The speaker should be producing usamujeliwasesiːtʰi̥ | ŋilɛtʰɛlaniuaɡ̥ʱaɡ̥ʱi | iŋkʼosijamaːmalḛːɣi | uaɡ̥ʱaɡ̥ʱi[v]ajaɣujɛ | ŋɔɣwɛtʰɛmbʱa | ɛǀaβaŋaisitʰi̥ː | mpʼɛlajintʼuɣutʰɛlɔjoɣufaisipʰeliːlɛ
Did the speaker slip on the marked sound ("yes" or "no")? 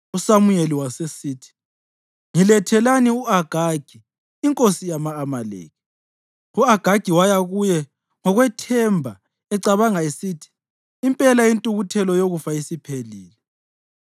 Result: yes